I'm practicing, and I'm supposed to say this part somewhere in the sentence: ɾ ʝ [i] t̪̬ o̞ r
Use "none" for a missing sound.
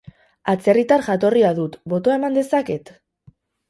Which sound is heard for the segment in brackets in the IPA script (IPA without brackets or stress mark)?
a